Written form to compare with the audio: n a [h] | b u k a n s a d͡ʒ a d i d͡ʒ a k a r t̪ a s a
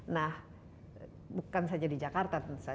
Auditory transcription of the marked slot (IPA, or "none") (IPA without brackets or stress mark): h